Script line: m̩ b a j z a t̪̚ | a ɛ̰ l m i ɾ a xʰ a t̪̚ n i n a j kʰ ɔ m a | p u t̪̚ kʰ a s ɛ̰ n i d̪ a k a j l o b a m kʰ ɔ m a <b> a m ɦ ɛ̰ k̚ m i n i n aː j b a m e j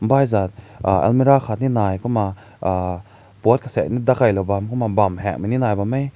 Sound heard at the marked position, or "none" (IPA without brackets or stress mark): b